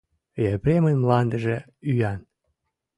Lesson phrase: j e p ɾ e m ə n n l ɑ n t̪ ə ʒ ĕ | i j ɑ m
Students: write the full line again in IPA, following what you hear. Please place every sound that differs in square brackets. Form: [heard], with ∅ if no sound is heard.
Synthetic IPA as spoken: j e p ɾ e m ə n [m] l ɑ n [d̪] ə ʒ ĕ | [y] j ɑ [n]